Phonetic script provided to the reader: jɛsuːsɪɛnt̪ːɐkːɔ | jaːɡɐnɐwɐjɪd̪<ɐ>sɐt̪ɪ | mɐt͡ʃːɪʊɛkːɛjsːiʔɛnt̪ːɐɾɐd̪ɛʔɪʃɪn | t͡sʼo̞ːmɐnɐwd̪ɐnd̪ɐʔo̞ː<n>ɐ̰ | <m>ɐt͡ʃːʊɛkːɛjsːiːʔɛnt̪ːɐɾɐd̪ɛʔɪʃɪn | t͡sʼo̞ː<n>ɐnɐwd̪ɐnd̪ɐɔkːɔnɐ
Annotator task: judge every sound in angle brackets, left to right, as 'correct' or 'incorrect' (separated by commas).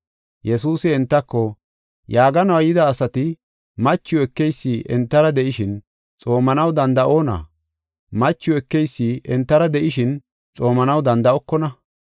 incorrect, correct, correct, incorrect